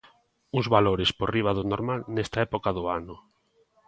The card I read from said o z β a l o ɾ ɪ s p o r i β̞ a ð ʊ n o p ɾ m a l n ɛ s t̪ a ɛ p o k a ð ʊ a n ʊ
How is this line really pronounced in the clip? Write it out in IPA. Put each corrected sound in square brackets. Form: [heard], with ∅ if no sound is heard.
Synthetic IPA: [u] z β a l o ɾ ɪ s p o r i β̞ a ð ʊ n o [∅] ɾ m a l n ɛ s t̪ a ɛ p o k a ð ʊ a n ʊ

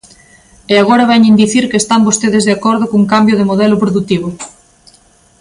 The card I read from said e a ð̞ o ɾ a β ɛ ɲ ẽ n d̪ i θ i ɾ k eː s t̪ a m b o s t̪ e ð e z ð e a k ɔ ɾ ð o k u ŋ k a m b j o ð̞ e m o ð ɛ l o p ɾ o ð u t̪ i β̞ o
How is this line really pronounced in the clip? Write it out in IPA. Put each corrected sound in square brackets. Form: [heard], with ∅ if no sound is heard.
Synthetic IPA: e a [ɣ̞] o ɾ a β ɛ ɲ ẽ n d̪ i θ i ɾ k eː s t̪ a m b o s t̪ e ð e z ð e a k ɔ ɾ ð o k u ŋ k a m b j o ð̞ e m o ð ɛ l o p ɾ o ð u t̪ i β̞ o

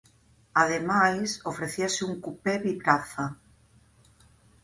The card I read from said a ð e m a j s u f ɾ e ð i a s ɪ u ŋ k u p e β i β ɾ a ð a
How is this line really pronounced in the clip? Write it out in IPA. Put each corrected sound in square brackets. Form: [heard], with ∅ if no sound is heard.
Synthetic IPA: a ð e m a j s [o] f ɾ e [θ] i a s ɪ u ŋ k u p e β i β ɾ a [θ] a

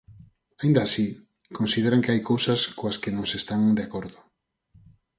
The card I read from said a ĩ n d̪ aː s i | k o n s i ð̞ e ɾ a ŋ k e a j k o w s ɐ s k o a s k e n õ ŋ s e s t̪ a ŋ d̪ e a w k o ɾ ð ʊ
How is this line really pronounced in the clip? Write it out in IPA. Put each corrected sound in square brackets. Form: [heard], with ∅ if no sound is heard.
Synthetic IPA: a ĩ n d̪ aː s i | k o n s i ð̞ e ɾ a ŋ k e a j k o w s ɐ s k o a s k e n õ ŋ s e s t̪ a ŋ d̪ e a [∅] k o ɾ ð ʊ

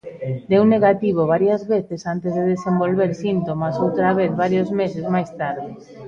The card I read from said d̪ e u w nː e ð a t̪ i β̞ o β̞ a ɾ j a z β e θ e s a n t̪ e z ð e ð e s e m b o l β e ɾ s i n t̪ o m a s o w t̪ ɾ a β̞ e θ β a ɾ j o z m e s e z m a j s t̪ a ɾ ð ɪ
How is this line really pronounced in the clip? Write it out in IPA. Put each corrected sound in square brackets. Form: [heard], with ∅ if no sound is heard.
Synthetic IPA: d̪ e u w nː e [ɣ] a t̪ i β̞ o β̞ a ɾ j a z β e θ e s a n t̪ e z ð e ð e s e m b o l β e ɾ s i n t̪ o m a s o w t̪ ɾ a β̞ e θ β a ɾ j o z m e s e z m a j s t̪ a ɾ ð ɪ

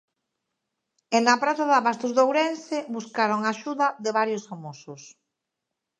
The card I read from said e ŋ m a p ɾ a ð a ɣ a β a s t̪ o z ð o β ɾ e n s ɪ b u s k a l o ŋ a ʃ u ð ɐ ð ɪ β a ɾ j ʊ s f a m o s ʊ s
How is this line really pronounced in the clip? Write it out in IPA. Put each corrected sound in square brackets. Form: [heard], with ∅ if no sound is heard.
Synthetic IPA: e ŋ [n] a p ɾ a [θ] a [ð] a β a s t̪ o z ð o [w] ɾ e n s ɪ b u s k a [ɾ] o ŋ a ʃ u ð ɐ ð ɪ β a ɾ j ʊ s f a m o s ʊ s

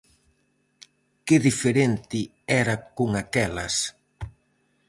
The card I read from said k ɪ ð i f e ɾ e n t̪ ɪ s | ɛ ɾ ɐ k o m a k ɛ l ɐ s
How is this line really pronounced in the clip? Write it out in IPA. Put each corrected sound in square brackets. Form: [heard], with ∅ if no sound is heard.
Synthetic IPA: k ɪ ð i f e ɾ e n t̪ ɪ [∅] | ɛ ɾ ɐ k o [ŋ] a k ɛ l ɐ s

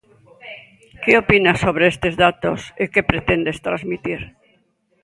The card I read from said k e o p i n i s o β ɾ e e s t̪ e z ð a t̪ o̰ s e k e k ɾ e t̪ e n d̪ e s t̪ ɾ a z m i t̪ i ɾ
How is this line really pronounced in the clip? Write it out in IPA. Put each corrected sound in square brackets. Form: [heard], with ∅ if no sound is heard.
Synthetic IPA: k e o p i n [a] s o β ɾ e e s t̪ e z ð a t̪ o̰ s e k e [p] ɾ e t̪ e n d̪ e s t̪ ɾ a z m i t̪ i ɾ

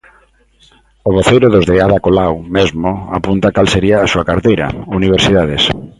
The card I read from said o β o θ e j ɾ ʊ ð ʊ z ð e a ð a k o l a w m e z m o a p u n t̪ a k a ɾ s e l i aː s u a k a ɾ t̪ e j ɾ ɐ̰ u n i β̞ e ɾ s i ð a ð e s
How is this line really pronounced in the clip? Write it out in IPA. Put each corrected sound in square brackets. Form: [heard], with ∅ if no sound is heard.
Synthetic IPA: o β o θ e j ɾ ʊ ð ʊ z ð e a ð a k o l a w m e z m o a p u n t̪ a k a [l] s e [ɾ] i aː s u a k a ɾ t̪ e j ɾ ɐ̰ u n i β̞ e ɾ s i ð a ð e s

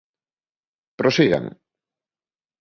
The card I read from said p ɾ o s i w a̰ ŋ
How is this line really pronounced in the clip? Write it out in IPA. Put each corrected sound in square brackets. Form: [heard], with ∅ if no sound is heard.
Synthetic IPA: p ɾ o s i [ɣ] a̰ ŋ

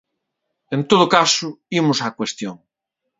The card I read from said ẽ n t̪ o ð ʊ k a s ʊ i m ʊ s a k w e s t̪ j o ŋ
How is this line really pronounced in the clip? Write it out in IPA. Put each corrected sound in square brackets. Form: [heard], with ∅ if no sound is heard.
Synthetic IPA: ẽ n t̪ o ð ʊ k a s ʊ i m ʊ s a k w e s t̪ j o ŋ

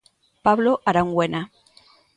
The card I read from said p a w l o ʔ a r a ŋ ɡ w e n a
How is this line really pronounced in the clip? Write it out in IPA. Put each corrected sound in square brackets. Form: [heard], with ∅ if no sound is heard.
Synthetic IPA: p a [β] l o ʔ a [ɾ] a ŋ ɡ w e n a

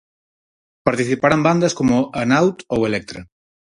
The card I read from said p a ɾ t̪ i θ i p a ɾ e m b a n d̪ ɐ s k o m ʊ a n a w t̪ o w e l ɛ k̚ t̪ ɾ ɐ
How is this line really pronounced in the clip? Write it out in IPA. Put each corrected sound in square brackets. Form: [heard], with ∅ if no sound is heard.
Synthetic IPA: p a ɾ t̪ i θ i p a ɾ [a] m b a n d̪ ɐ s k o m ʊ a n a w t̪ o w e l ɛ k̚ t̪ ɾ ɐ

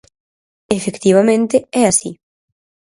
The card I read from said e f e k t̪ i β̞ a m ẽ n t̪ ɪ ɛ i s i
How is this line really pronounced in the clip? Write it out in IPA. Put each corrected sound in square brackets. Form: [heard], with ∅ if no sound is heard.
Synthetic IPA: e f e k t̪ i β̞ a m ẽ n t̪ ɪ ɛ [a] s i

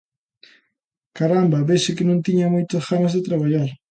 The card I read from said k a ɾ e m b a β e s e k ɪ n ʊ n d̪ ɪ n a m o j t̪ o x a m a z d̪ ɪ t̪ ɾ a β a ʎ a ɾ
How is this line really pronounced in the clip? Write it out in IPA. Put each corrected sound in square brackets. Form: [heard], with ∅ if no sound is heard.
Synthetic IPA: k a ɾ [a] m b a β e s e k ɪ n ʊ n [t̪] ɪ [ɲ] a m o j t̪ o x a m a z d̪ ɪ t̪ ɾ a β a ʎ a ɾ

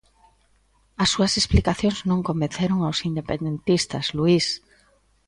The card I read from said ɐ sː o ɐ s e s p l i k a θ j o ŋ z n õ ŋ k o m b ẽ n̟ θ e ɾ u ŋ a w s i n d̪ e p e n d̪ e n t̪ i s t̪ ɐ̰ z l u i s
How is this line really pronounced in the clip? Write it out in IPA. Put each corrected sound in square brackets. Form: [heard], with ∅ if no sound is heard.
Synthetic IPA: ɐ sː [u] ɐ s e s p l i k a θ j o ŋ z n õ ŋ k o m b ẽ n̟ θ e ɾ [o] ŋ a w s i n d̪ e p e n d̪ e n t̪ i s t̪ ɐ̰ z l u i s

